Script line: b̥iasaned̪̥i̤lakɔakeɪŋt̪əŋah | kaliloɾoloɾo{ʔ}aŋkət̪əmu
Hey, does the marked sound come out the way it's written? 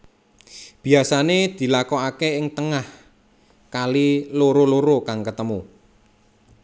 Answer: no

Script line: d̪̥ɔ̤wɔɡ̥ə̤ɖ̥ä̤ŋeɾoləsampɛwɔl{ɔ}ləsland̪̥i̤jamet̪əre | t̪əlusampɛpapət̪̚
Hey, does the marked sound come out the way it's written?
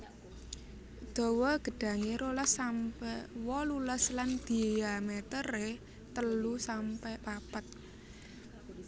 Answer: no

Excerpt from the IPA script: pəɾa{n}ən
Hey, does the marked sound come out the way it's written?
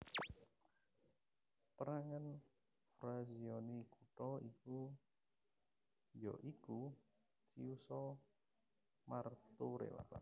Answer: no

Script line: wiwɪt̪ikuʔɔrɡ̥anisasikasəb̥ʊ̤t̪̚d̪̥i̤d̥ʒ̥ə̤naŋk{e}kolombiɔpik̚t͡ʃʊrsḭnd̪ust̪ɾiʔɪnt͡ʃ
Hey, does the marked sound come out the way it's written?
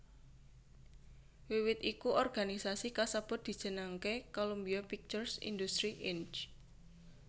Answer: yes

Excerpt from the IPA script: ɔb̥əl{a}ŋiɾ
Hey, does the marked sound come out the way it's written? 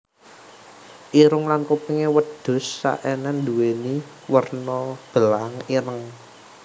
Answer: yes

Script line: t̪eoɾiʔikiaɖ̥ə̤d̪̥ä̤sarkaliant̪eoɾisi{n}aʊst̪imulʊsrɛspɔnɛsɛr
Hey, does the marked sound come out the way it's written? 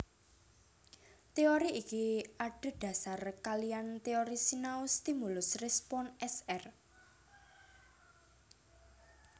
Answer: yes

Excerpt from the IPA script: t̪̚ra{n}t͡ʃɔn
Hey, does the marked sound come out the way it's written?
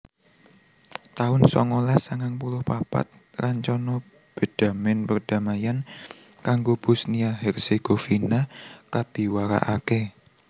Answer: no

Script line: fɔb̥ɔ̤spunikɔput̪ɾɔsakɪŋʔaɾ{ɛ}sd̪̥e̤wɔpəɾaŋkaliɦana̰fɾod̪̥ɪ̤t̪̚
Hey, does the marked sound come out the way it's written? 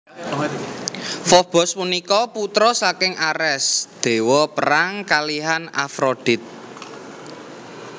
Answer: yes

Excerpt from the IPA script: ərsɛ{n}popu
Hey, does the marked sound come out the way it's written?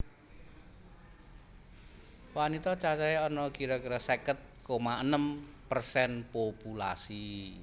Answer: yes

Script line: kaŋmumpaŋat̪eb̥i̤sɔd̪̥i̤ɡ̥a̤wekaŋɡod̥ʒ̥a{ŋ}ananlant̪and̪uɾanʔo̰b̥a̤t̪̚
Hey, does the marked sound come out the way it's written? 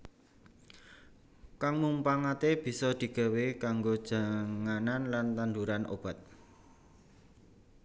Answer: yes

